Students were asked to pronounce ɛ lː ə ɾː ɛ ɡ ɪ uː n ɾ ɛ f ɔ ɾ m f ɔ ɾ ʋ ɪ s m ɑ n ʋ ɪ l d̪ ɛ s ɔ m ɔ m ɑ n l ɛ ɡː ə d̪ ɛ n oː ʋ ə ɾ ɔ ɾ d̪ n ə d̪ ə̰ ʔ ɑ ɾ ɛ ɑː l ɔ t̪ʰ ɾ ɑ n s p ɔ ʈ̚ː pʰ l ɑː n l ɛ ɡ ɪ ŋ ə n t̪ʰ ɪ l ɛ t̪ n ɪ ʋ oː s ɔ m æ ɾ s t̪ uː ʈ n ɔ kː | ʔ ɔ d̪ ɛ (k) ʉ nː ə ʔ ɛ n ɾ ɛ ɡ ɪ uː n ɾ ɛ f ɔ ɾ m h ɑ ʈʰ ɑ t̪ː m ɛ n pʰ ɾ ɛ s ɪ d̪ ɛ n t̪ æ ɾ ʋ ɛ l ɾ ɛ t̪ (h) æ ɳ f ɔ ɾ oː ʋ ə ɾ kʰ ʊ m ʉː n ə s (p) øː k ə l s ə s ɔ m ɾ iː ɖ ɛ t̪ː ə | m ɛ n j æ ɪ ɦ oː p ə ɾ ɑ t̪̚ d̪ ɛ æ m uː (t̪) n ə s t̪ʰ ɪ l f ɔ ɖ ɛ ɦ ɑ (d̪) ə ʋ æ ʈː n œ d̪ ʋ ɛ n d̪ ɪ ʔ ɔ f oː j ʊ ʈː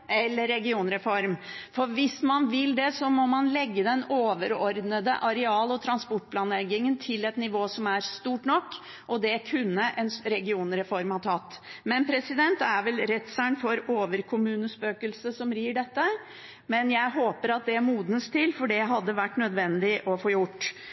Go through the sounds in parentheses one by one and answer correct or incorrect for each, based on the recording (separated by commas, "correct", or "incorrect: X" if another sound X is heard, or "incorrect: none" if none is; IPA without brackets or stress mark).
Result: incorrect: kʰ, incorrect: s, correct, incorrect: d̪, incorrect: d̪ː